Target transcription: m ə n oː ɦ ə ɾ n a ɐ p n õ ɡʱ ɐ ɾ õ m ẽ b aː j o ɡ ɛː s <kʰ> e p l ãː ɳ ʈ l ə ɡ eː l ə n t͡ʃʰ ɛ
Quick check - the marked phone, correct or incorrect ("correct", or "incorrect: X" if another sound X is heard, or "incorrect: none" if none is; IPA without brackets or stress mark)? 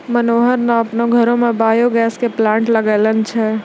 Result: incorrect: k